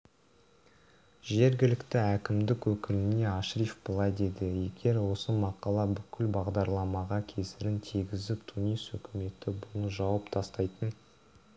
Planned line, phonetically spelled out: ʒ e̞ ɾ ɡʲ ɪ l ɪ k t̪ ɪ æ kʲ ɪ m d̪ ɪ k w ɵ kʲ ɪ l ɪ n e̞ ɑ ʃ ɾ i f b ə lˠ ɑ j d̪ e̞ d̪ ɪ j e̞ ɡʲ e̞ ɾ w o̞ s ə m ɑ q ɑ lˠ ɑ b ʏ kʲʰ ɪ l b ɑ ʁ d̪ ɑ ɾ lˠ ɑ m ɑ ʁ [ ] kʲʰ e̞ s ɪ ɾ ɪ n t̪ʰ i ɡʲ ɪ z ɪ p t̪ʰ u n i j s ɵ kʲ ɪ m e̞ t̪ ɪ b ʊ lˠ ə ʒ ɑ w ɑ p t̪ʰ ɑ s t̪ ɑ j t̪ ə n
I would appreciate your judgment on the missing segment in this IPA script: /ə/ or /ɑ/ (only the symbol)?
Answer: ɑ